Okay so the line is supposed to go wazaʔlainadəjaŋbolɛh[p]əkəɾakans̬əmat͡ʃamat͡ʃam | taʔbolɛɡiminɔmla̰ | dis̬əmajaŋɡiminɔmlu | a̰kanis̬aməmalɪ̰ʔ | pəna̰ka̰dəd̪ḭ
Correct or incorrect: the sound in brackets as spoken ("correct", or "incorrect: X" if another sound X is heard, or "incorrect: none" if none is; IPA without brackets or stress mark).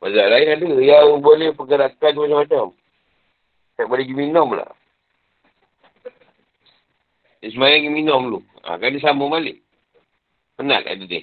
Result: correct